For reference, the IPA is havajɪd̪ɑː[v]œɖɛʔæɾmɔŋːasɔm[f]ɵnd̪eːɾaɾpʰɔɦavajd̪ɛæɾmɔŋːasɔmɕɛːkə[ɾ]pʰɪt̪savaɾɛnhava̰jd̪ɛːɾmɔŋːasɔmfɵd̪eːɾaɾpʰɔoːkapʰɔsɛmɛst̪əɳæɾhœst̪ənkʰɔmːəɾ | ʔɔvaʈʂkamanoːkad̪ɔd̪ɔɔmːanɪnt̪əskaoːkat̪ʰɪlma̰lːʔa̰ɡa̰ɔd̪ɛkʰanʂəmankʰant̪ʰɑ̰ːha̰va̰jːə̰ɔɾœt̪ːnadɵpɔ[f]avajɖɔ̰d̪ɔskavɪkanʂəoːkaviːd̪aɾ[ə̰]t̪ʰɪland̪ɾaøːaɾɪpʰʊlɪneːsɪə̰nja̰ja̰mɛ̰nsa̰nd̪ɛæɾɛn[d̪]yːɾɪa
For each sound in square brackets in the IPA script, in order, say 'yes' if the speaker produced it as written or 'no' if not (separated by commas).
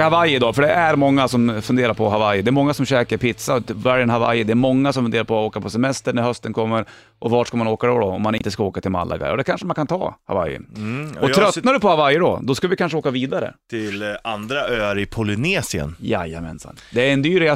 no, yes, yes, no, yes, yes